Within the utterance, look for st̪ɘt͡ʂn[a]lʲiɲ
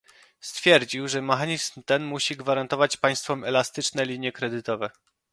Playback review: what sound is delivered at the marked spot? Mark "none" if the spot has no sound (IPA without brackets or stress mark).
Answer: ɛ